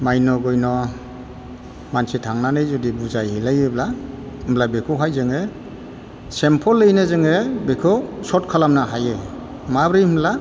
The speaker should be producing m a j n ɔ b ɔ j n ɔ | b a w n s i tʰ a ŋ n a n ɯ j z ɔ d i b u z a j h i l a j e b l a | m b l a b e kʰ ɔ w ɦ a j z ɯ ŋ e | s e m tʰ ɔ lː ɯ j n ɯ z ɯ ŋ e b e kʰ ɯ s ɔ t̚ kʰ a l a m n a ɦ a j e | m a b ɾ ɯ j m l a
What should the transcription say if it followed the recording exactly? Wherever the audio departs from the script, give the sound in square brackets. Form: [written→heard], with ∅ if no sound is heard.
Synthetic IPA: m a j n ɔ [b→ɡ] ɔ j n ɔ | [b→m] a [w→∅] n s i tʰ a ŋ n a n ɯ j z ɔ d i b u z a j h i l a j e b l a | m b l a b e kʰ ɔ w ɦ a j z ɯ ŋ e | s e m [tʰ→pʰ] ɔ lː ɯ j n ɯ z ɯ ŋ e b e kʰ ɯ s ɔ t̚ kʰ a l a m n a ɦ a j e | m a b ɾ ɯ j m l a